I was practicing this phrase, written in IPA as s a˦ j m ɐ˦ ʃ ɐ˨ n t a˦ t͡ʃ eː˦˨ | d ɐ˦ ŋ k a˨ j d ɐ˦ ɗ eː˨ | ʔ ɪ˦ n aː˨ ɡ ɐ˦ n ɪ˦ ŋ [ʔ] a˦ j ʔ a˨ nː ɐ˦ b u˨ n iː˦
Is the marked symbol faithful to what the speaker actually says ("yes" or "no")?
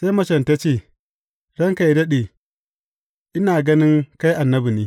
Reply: no